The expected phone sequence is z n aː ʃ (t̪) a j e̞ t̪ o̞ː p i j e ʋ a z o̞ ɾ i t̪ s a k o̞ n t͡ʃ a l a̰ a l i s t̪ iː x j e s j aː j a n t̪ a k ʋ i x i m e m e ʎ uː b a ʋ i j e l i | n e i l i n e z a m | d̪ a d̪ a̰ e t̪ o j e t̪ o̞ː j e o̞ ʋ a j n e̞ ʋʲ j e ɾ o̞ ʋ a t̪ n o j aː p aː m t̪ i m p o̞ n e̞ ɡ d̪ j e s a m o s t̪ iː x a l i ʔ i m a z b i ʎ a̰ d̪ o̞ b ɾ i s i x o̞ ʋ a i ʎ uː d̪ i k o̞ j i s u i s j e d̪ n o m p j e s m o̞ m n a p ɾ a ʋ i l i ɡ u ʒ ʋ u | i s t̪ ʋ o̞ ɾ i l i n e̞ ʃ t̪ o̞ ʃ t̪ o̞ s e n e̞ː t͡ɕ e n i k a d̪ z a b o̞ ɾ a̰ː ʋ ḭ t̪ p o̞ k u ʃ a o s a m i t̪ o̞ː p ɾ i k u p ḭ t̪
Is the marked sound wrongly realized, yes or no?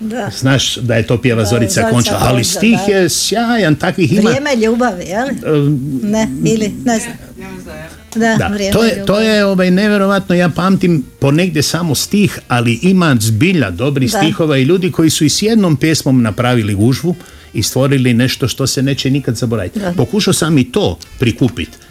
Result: yes